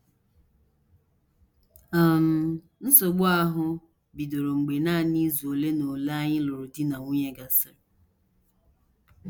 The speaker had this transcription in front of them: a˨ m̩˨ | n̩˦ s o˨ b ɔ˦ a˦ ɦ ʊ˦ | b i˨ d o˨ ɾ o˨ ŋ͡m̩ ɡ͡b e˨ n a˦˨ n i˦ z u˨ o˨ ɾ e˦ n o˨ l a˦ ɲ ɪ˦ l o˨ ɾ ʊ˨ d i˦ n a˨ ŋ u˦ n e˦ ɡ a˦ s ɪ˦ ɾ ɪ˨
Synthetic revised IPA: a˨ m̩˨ | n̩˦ s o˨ ɡ͡b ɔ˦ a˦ ɦ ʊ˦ | b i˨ d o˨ ɾ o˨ ŋ͡m̩ ɡ͡b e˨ n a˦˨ n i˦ z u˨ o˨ l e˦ n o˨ l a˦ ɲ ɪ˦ l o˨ ɾ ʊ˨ d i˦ n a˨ ŋ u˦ ɲ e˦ ɡ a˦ s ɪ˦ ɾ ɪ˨